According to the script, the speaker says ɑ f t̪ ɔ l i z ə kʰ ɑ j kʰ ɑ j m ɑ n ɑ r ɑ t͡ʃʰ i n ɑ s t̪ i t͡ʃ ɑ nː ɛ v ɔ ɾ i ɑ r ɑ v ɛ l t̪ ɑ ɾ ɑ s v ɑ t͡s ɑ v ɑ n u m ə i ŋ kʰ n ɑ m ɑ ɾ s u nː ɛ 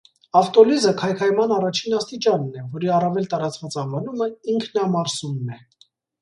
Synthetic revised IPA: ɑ f t̪ ɔ l i z ə kʰ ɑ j kʰ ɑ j m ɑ n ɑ r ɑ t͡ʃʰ i n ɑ s t̪ i t͡ʃ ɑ nː ɛ v ɔ ɾ i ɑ r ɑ v ɛ l t̪ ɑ ɾ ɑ t͡s v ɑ t͡s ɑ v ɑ n u m ə i ŋ kʰ n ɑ m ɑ ɾ s u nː ɛ